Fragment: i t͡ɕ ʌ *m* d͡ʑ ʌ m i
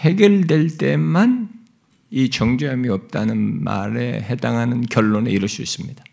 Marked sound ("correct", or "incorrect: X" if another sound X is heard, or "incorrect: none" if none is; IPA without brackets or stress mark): incorrect: ŋ